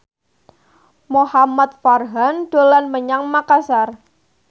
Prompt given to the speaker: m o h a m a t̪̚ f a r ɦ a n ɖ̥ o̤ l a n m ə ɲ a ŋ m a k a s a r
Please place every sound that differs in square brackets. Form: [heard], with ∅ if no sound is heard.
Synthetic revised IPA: m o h a m a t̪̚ f a r ɦ a n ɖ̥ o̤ l a n m ə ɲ a ŋ m a k a s a r